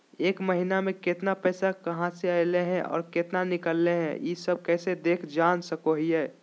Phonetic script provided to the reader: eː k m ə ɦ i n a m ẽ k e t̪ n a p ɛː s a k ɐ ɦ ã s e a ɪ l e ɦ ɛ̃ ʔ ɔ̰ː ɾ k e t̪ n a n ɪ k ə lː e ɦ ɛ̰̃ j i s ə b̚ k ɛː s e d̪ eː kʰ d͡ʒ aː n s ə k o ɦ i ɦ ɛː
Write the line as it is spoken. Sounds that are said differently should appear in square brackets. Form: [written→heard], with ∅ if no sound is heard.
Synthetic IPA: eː k m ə ɦ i n a m ẽ k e t̪ n a p ɛː s a k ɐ ɦ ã s e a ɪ l e ɦ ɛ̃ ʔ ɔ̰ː ɾ k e t̪ n a n ɪ k ə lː e ɦ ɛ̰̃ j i s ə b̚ k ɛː s e d̪ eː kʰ d͡ʒ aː n s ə k o ɦ i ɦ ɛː